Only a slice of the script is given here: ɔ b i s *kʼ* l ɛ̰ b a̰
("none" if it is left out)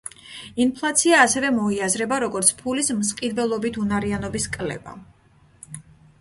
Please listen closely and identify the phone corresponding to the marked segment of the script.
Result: kʼ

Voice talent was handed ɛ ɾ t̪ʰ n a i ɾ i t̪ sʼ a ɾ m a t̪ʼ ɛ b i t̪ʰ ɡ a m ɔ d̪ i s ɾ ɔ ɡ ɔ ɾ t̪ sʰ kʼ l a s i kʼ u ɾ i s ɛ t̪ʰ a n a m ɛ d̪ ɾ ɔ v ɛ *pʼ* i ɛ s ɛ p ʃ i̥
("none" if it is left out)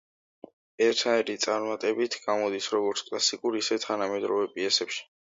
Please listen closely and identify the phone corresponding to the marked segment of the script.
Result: pʼ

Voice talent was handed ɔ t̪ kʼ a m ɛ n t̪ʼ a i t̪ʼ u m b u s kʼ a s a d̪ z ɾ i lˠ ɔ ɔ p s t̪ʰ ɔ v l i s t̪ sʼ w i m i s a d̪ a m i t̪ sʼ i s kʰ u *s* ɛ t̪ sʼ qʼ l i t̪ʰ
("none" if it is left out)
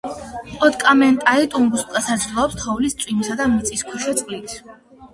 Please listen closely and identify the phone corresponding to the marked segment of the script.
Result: ʃ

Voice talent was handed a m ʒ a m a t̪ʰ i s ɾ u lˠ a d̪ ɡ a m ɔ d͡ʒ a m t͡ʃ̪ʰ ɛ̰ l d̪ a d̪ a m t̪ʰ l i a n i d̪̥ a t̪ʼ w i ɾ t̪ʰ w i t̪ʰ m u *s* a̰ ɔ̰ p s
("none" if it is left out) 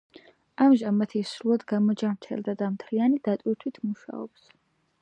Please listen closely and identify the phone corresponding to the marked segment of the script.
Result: ʃ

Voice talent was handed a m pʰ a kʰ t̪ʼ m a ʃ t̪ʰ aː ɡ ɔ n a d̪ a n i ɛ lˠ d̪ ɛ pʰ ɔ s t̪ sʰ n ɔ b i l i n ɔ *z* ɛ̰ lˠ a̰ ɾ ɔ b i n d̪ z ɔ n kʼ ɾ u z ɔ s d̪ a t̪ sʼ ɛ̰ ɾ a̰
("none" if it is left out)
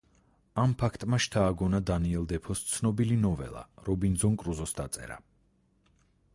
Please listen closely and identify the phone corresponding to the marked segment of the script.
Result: v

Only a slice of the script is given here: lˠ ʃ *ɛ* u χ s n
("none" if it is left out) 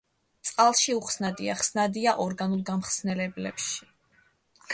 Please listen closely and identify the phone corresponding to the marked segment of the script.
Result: i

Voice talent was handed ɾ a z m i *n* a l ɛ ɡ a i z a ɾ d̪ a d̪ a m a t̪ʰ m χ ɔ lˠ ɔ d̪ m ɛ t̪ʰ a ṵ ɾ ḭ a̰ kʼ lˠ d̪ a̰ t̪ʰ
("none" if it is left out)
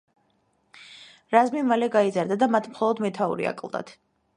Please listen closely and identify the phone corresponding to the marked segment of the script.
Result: m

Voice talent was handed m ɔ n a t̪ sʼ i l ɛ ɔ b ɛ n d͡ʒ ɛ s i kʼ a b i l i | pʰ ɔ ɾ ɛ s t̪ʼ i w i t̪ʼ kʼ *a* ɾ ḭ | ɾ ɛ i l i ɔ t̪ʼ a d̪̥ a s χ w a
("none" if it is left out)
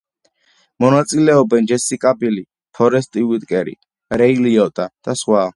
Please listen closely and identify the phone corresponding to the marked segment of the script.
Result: ɛ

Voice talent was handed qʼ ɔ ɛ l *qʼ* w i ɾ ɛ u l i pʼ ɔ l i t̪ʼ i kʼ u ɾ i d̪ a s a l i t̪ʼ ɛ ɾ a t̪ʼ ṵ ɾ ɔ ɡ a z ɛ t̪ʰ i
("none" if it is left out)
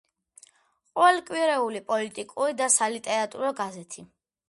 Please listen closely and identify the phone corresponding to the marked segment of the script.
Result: kʼ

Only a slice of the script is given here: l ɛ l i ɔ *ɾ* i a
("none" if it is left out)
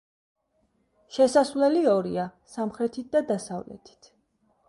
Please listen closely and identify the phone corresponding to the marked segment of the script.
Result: ɾ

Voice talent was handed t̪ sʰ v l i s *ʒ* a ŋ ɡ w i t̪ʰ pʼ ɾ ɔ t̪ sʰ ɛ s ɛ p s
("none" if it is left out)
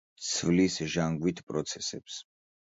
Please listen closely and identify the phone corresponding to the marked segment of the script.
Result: ʒ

